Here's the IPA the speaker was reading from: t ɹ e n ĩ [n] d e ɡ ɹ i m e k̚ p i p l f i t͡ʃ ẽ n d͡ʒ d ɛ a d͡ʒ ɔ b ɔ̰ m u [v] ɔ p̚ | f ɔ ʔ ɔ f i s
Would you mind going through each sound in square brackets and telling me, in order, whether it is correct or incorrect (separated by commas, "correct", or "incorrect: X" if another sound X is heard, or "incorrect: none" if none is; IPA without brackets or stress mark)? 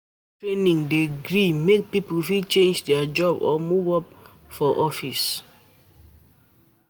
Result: incorrect: ŋ, correct